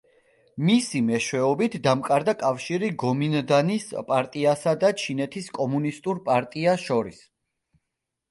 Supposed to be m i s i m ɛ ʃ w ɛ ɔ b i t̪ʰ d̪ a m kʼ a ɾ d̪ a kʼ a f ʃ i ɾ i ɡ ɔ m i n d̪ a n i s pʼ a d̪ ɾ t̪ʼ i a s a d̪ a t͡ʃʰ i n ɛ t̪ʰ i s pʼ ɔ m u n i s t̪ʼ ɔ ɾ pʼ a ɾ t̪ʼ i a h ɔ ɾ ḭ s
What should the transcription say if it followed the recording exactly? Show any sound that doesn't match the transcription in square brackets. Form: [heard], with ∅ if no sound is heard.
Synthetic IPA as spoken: m i s i m ɛ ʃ w ɛ ɔ b i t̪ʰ d̪ a m kʼ a ɾ d̪ a kʼ a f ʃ i ɾ i ɡ ɔ m i n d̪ a n i s pʼ a [∅] ɾ t̪ʼ i a s a d̪ a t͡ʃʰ i n ɛ t̪ʰ i s [kʼ] ɔ m u n i s t̪ʼ [u] ɾ pʼ a ɾ t̪ʼ i a [ʃ] ɔ ɾ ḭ s